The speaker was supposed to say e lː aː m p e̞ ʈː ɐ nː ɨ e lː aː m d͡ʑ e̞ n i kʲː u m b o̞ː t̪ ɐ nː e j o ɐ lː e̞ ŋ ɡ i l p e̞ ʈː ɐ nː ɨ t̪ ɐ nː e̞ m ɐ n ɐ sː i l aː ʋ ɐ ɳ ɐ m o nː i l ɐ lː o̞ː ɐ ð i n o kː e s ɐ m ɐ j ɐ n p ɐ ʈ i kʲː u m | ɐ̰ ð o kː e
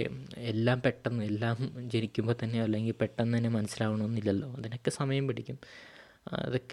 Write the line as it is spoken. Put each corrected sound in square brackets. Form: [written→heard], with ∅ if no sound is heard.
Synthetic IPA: e lː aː m p e̞ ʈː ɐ nː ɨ e lː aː m d͡ʑ e̞ n i kʲː u m b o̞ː t̪ ɐ nː e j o ɐ lː e̞ ŋ ɡ i l p e̞ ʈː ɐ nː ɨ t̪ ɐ nː e̞ m ɐ n ɐ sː i l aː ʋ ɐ ɳ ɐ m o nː i [l→lː] ɐ lː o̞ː ɐ ð i n o kː e s ɐ m ɐ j ɐ [n→m] p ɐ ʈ i kʲː u m | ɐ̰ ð o kː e